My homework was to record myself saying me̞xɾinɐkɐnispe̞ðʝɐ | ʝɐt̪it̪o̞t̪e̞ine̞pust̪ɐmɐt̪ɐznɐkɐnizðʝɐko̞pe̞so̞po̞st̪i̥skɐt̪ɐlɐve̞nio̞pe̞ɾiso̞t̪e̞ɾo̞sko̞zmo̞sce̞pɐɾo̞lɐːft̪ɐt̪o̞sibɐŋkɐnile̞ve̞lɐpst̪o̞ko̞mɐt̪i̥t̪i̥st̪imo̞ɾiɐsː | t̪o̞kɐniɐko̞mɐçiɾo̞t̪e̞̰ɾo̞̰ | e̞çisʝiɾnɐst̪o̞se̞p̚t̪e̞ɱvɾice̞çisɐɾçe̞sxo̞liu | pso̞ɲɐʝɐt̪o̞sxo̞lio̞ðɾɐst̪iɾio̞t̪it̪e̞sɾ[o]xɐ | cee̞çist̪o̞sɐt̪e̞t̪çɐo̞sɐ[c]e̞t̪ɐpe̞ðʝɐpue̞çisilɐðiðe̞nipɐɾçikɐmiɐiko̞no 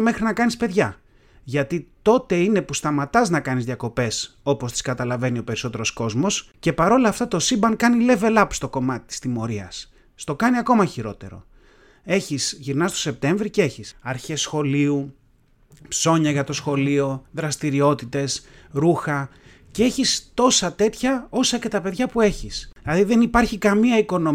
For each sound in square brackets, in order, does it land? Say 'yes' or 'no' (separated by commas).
no, yes